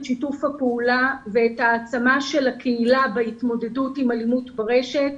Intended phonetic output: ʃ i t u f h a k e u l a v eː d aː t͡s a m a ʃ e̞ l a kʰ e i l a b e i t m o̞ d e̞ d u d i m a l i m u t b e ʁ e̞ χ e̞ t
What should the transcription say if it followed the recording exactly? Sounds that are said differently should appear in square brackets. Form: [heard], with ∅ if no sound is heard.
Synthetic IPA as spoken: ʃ i t u f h a [p] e u l a v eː [t] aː t͡s a m a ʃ e̞ l a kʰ e i l a b e i t m o̞ d e̞ d u [t] i m a l i m u t b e ʁ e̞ [ʃ] e̞ t